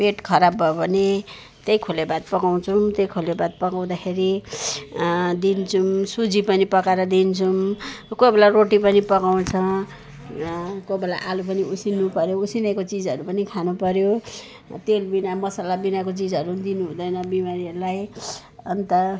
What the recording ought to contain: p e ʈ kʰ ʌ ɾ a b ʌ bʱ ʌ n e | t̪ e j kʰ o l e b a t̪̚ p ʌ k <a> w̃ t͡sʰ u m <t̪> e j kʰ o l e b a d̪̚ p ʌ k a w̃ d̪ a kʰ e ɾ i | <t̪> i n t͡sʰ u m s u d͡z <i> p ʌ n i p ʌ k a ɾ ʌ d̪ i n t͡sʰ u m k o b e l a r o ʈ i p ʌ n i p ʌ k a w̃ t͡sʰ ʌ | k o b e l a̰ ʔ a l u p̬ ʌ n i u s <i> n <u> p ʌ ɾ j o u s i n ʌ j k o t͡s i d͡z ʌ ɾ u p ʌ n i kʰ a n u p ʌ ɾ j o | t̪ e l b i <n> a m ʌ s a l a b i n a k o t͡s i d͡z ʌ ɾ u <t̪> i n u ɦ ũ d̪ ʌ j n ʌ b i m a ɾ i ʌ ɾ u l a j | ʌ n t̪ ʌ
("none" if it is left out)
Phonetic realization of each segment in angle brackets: a, t̪, d̪, i, i, u, n, d̪

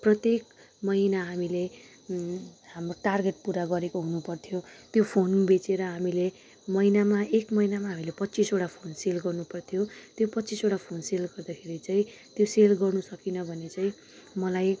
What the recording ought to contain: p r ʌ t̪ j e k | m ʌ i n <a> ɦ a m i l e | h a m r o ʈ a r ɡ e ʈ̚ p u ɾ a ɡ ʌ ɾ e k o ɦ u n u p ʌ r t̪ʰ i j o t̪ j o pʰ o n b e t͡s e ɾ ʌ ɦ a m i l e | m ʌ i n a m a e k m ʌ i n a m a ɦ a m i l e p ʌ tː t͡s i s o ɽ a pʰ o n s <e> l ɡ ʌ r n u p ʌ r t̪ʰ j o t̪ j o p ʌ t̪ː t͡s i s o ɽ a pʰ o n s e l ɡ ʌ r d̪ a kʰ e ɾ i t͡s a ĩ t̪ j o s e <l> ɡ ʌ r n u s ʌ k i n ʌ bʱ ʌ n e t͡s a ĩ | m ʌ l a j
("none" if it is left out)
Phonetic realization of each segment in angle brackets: a, e, l

